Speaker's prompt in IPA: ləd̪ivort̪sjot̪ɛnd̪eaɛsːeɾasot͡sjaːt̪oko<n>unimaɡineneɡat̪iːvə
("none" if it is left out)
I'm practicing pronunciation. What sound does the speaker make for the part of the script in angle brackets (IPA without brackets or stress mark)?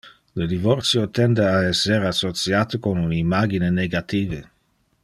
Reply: n